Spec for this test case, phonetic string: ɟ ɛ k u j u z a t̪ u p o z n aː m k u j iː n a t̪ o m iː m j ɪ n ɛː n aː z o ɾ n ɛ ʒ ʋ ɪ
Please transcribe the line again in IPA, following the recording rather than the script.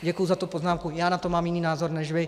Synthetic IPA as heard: ɟ ɛ k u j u z a t̪ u p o z n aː m k u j aː n a t̪ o m aː m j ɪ n iː n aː z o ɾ n ɛ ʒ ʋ ɪ

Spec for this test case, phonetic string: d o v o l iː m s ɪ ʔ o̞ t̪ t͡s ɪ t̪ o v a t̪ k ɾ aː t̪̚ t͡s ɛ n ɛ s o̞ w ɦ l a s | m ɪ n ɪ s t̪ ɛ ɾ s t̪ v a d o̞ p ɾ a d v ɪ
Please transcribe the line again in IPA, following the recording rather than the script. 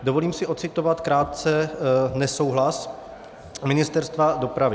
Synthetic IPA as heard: d o v o l iː m s ɪ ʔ o̞ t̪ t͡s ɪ t̪ o v a t̪ k ɾ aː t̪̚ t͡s ɛ n ɛ s o̞ w ɦ l a s | m ɪ n ɪ s t̪ ɛ ɾ s t̪ v a d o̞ p ɾ a v ɪ

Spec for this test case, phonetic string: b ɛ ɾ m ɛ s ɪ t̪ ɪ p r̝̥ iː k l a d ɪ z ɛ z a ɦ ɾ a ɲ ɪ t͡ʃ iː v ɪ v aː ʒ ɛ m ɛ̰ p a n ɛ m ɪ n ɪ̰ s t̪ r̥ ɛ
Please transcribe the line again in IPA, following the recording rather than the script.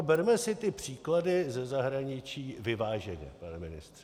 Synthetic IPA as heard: b ɛ ɾ m ɛ s ɪ t̪ ɪ p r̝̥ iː k l a d ɪ z ɛ z a ɦ ɾ a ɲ ɪ t͡ʃ iː v ɪ v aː ʒ ɛ ɲ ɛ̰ p a n ɛ m ɪ n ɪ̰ s t̪ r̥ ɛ

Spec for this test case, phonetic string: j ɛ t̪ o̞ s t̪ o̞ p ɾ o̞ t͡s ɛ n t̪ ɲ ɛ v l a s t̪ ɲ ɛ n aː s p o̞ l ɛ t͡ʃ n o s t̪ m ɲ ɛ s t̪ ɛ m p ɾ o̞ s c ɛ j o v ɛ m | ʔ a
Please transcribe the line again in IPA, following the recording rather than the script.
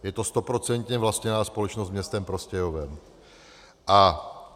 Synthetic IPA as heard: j ɛ t̪ o̞ s t̪ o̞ p ɾ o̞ t͡s ɛ n t̪ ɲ ɛ v l a s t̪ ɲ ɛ n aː s p o̞ l ɛ t͡ʃ n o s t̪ m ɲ ɛ s t̪ ɛ m p ɾ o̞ s c ɛ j o v ɛ m | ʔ a

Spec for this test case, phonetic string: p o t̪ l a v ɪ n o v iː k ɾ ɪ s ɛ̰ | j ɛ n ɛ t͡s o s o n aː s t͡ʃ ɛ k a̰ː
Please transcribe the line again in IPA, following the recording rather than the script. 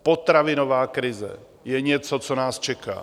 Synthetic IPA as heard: p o t̪ ɾ a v ɪ n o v aː k ɾ ɪ z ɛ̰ | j ɛ ɲ ɛ t͡s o t͡s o n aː s t͡ʃ ɛ k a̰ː

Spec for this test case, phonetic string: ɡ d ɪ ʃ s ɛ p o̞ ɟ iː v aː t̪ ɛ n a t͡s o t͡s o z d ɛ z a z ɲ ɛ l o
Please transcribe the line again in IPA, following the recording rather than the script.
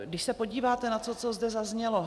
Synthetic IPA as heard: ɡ d ɪ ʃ s ɛ p o̞ ɟ iː v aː t̪ ɛ n a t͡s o t͡s o z d ɛ z a z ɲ ɛ l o

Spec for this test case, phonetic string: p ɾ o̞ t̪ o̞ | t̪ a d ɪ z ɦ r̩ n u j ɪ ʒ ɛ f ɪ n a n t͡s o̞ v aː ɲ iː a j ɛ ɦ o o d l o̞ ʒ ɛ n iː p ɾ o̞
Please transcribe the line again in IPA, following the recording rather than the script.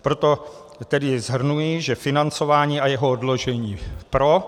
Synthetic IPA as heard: p ɾ o̞ t̪ o̞ | t̪ ɛ d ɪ z ɦ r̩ n u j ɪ ʒ ɛ f ɪ n a n t͡s o̞ v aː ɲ iː a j ɛ ɦ o o d l o̞ ʒ ɛ ɲ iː p ɾ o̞

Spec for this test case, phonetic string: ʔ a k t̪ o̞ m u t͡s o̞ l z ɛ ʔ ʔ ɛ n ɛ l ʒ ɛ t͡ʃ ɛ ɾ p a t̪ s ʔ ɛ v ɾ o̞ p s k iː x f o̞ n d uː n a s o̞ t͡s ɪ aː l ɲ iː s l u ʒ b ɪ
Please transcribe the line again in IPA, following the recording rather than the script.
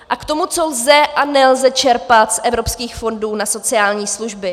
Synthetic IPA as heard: ʔ a k t̪ o̞ m u t͡s o̞ l z ɛ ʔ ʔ a n ɛ l z ɛ t͡ʃ ɛ ɾ p a t̪ s ʔ ɛ v ɾ o̞ p s k iː x f o̞ n d uː n a s o̞ t͡s ɪ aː l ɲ iː s l u ʒ b ɪ

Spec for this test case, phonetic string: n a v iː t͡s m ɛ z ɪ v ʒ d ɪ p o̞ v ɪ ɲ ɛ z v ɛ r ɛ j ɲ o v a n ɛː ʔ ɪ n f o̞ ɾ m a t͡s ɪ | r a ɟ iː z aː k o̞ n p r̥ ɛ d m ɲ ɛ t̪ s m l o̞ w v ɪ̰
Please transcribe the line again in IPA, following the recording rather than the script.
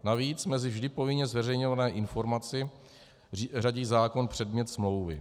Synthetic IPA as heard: n a v iː t͡s m ɛ z ɪ v ʒ d ɪ p o̞ v ɪ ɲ ɛ z v ɛ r ɛ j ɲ o v a n ɛː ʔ ɪ n f o̞ ɾ m a t͡s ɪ | r a ɟ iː z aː k o̞ n p r̥ ɛ d m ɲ ɛ t̪ s m l o̞ w v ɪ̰

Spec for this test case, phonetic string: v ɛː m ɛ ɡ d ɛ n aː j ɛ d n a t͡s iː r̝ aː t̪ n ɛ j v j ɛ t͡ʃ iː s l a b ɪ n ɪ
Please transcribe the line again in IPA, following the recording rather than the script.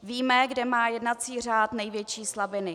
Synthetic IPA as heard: v iː m ɛ ɡ d ɛ m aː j ɛ d n a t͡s iː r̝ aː t̪ n ɛ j v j ɛ t͡ʃ iː s l a b ɪ n ɪ

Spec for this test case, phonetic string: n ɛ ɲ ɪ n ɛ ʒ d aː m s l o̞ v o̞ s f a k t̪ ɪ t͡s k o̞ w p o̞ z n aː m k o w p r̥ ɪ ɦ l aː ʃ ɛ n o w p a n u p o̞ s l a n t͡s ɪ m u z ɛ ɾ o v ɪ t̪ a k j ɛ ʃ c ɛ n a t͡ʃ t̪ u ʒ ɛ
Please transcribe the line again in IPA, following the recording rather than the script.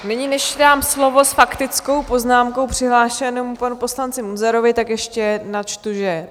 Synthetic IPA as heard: n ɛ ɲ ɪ n ɛ ʃ d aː m s l o̞ v o̞ s f a k t̪ ɪ t͡s k o̞ w p o̞ z n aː m k o w p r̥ ɪ ɦ l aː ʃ ɛ n o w p a n u p o̞ s l a n t͡s ɪ m u z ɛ ɾ o v ɪ t̪ a k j ɛ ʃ c ɛ n a t͡ʃ t̪ u ʒ ɛ

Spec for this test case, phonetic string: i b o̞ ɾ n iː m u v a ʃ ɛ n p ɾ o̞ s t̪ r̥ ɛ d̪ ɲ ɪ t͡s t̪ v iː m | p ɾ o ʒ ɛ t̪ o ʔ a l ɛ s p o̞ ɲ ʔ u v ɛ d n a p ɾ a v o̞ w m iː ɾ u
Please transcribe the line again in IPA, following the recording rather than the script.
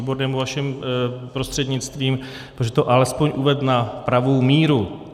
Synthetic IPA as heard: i b o̞ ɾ n ɛː m u v a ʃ ɛ m p ɾ o̞ s t̪ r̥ ɛ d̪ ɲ ɪ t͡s t̪ v iː m | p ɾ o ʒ ɛ t̪ o ʔ a l ɛ s p o̞ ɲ ʔ u v ɛ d n a p ɾ a v o̞ w m iː ɾ u

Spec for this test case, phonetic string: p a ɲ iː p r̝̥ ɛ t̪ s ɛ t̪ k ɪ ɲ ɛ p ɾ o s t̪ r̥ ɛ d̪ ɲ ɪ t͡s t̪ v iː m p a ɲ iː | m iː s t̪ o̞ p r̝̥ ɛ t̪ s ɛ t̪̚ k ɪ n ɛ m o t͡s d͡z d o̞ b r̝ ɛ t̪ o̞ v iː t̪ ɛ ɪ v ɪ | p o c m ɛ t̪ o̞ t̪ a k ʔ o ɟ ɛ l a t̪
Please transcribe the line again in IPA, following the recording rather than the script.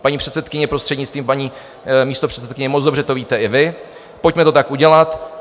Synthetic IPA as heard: p a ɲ iː p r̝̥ ɛ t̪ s ɛ t̪ k ɪ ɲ ɛ p ɾ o s t̪ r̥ ɛ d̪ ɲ ɪ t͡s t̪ v iː m p a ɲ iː | m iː s t̪ o̞ p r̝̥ ɛ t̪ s ɛ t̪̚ k ɪ ɲ ɛ m o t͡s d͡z d o̞ b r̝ ɛ t̪ o̞ v iː t̪ ɛ ɪ v ɪ | p o c m ɛ t̪ o̞ t̪ a k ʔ u ɟ ɛ l a t̪

